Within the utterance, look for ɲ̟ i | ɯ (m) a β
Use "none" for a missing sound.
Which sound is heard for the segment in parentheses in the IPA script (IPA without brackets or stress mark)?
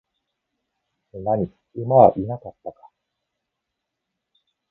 m